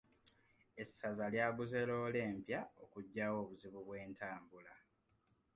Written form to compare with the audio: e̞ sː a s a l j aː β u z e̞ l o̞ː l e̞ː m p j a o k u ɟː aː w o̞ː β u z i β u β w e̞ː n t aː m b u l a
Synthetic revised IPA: e̞ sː a z a l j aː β u z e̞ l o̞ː l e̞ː m p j a o k u ɟː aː w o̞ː β u z i β u β w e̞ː n t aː m b u l a